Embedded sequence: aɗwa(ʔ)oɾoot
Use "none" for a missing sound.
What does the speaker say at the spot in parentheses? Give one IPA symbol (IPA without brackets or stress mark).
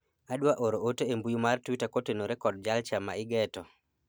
ʔ